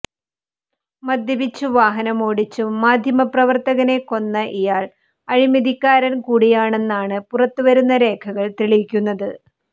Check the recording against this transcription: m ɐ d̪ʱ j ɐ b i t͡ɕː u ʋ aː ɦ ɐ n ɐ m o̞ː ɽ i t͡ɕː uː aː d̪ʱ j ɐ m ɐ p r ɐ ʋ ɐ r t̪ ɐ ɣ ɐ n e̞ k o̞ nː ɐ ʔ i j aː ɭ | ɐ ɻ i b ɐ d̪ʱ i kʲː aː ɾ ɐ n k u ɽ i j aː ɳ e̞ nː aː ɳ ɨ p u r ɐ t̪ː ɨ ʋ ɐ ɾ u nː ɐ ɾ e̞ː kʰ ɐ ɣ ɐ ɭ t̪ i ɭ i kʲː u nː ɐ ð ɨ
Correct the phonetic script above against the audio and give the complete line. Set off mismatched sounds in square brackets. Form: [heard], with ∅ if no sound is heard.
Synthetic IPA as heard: m ɐ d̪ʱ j ɐ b i t͡ɕː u ʋ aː ɦ ɐ n ɐ m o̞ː ɽ i t͡ɕː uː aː d̪ʱ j ɐ m ɐ p r ɐ ʋ ɐ r t̪ ɐ ɣ ɐ n e̞ k o̞ nː ɐ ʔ i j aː ɭ | ɐ ɻ i [m] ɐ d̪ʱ i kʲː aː ɾ ɐ n k [uː] ɽ i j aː ɳ e̞ nː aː ɳ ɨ p u r ɐ t̪ː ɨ ʋ ɐ ɾ u nː ɐ ɾ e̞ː kʰ ɐ ɣ ɐ ɭ t̪ i ɭ i kʲː u nː ɐ ð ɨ

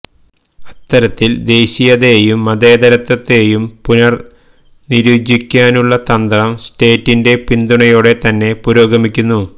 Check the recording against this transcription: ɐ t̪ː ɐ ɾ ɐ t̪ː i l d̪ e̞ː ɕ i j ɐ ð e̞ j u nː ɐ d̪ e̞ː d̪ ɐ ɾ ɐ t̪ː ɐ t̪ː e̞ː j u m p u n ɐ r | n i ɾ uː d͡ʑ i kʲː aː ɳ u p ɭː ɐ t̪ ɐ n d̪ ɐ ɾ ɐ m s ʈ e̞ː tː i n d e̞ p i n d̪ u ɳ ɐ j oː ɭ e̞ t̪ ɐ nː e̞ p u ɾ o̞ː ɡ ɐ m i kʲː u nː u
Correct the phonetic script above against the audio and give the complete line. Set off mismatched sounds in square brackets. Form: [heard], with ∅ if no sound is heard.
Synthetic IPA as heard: ɐ t̪ː ɐ ɾ ɐ t̪ː i l d̪ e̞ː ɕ i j ɐ ð e̞ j u [mː] ɐ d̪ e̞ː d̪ ɐ ɾ ɐ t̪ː ɐ t̪ː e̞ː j u m p u n ɐ r | n i ɾ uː d͡ʑ i kʲː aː [n] u [∅] ɭː ɐ t̪ ɐ n d̪ ɐ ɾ ɐ m s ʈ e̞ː tː i n d e̞ p i n d̪ u ɳ ɐ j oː [ɽ] e̞ t̪ ɐ nː e̞ p u ɾ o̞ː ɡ ɐ m i kʲː u nː u

